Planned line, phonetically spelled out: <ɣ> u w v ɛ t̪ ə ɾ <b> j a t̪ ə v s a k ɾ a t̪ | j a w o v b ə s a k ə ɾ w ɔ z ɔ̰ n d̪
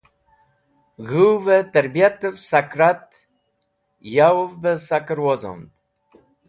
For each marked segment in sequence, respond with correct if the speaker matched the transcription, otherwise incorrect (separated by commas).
correct, correct